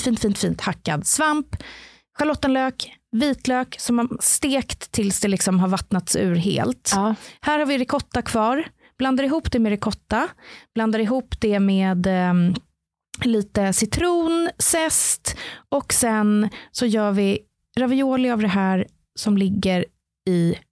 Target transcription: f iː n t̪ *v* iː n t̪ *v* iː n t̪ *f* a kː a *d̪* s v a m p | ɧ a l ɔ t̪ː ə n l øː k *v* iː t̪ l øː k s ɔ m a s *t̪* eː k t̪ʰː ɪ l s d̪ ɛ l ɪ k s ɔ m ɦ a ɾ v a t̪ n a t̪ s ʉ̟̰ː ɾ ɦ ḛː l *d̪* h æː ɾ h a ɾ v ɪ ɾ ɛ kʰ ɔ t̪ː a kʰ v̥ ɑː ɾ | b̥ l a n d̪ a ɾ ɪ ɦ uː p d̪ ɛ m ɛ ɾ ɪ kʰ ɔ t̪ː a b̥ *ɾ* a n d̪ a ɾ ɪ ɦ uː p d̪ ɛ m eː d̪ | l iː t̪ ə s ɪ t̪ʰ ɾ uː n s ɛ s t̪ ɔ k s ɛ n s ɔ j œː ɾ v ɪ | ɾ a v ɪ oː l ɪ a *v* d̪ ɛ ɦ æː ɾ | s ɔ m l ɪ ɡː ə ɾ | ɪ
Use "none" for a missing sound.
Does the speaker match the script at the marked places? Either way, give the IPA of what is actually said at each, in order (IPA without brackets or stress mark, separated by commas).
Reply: f, f, h, d̪, v, t̪, t̪, l, v